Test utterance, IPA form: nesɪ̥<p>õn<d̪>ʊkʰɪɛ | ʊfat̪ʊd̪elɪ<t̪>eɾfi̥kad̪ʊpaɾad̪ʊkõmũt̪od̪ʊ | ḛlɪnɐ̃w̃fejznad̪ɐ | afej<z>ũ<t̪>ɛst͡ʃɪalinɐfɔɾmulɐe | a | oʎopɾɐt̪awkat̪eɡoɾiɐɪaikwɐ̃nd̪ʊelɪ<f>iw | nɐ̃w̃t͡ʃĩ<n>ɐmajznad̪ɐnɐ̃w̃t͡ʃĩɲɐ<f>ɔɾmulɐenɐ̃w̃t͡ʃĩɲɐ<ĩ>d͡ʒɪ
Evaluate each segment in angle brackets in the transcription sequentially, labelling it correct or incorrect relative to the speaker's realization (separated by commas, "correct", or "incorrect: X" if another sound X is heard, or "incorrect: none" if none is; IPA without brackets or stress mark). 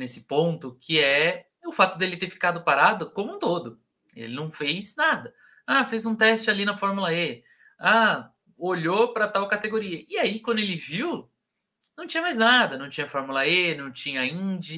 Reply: correct, incorrect: t̪, correct, correct, correct, incorrect: v, incorrect: ɲ, correct, correct